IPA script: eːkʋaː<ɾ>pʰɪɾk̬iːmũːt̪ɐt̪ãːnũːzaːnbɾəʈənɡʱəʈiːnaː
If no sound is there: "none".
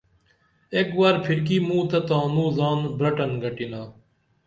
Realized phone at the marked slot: ɾ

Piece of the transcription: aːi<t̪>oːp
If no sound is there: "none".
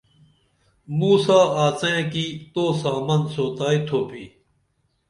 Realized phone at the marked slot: t̪ʰ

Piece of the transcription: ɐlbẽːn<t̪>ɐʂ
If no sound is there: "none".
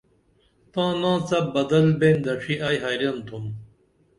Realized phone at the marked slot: d̪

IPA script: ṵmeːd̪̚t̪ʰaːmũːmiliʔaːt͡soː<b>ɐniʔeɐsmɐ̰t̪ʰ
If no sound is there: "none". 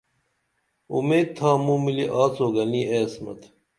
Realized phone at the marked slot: ɡ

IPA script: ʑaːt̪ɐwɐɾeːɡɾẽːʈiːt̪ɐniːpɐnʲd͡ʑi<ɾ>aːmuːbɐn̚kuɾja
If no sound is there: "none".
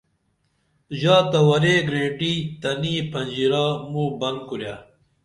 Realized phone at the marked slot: ɾ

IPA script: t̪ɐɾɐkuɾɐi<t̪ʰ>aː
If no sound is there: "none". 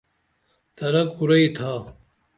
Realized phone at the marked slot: t̪ʰ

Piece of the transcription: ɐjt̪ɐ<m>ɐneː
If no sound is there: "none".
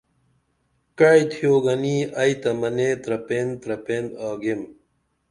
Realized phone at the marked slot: m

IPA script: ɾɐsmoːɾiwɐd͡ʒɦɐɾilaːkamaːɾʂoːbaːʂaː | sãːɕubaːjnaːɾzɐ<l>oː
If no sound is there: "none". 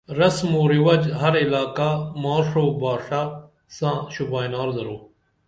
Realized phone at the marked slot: ɾ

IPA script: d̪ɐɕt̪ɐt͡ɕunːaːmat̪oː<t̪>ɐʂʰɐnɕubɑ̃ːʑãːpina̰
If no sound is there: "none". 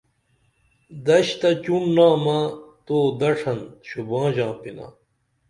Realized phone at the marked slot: d̪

